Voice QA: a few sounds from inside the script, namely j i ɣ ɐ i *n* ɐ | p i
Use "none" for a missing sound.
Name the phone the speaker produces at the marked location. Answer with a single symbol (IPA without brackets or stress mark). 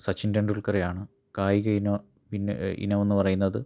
n